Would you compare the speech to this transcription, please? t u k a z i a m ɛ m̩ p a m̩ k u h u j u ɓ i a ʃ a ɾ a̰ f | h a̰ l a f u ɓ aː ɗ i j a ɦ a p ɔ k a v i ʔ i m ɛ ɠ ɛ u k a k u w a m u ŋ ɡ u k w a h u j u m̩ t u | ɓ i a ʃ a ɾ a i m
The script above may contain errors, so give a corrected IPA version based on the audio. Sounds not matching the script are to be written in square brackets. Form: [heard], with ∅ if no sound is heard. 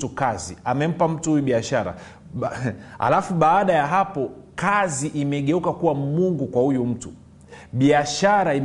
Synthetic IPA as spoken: t u k a z i a m ɛ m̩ p a m̩ [t] u h u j u ɓ i a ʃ a ɾ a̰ [∅] | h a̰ l a f u ɓ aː ɗ [a] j a ɦ a p ɔ k a [z] i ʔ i m ɛ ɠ ɛ u k a k u w a m u ŋ ɡ u k w a h u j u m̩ t u | ɓ i a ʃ a ɾ a i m